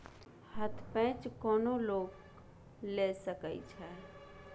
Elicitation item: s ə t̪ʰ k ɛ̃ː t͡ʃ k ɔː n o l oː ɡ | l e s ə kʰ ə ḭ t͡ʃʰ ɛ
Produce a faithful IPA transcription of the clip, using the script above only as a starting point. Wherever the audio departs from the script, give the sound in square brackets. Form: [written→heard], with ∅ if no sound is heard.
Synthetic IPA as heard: [s→h] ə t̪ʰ [k→p] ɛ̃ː t͡ʃ k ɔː n o l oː ɡ | l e s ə [kʰ→k] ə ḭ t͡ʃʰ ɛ

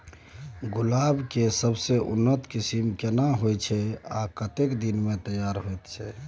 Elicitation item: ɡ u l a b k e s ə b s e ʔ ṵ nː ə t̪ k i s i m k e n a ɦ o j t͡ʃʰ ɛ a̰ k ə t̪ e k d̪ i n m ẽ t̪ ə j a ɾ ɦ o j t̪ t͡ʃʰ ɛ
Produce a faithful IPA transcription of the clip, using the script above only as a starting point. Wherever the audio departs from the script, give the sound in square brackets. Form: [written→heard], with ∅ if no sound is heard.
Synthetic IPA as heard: ɡ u l a b k e s ə b s e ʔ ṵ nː ə t̪ k i s i m k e n a ɦ o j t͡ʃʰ ɛ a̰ k ə t̪ e k d̪ i n m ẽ t̪ ə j a ɾ ɦ o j t̪ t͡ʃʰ ɛ

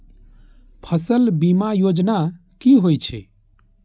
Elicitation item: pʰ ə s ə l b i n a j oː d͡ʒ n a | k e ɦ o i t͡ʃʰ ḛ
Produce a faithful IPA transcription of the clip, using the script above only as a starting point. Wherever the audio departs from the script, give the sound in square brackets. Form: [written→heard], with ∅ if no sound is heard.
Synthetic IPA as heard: pʰ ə s ə l b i [n→m] a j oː d͡ʒ n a | k [e→i] ɦ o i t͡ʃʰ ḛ

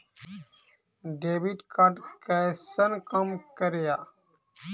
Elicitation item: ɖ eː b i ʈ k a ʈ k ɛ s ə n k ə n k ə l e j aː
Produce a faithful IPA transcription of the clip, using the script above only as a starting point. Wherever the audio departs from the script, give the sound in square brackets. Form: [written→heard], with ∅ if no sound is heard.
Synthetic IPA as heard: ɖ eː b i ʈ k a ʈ k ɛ s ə n k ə [n→m] k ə [l→ɾ] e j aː

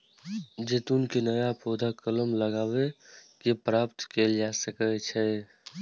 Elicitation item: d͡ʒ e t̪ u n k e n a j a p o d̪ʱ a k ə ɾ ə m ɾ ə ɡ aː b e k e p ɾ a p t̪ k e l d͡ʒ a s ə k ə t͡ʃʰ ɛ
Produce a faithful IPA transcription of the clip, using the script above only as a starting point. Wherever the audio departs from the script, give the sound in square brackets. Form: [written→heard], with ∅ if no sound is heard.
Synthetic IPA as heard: d͡ʒ e t̪ u n k e n [a→ə] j a p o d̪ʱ a k ə [ɾ→l] ə m [ɾ→l] ə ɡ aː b e k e p ɾ a p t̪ k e l d͡ʒ a s ə k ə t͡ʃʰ ɛ

